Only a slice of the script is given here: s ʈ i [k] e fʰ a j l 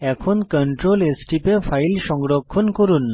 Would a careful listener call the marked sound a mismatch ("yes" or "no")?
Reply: yes